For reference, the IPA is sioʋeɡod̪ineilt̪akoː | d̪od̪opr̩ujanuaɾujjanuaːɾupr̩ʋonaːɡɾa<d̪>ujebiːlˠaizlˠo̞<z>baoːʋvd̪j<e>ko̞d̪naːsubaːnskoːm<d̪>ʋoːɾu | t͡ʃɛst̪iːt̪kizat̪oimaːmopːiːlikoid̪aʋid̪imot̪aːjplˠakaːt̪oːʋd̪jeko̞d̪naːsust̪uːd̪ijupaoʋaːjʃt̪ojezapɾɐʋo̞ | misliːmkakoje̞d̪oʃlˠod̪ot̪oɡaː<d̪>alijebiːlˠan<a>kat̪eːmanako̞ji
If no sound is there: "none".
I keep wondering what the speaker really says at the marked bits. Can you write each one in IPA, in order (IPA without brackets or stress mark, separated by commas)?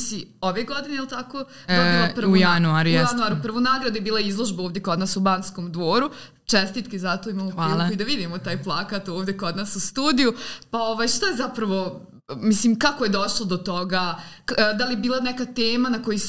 d̪, ʒ, e, d̪, d̪, ɛ